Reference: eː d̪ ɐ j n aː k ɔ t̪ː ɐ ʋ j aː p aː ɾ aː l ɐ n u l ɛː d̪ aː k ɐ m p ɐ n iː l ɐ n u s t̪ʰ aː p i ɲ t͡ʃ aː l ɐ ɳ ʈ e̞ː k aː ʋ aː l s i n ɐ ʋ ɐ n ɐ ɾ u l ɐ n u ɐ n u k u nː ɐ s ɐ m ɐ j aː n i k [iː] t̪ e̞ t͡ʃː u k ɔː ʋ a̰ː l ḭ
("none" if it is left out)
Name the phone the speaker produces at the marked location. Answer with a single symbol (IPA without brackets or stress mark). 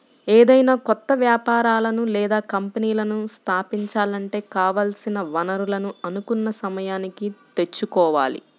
i